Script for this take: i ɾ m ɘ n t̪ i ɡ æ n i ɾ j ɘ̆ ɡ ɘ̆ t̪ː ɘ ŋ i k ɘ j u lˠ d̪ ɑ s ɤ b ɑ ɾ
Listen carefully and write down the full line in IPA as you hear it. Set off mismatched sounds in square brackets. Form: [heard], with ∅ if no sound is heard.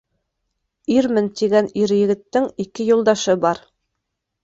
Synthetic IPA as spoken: i ɾ m ɘ n t̪ i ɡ æ n i ɾ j ɘ̆ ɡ ɘ̆ t̪ː ɘ ŋ i k ɘ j u lˠ d̪ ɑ [ʃ] ɤ b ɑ ɾ